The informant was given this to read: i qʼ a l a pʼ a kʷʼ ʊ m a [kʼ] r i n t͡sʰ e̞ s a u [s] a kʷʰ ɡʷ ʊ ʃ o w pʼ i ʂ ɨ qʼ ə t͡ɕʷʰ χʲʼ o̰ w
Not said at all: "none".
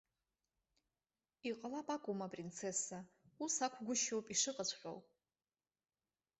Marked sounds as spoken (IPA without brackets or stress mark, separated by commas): pʼ, s